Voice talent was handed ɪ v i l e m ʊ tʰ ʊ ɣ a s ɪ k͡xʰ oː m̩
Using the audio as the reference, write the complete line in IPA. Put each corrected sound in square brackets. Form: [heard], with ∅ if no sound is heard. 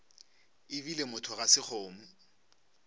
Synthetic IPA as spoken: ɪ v i l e m ʊ tʰ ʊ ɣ a s ɪ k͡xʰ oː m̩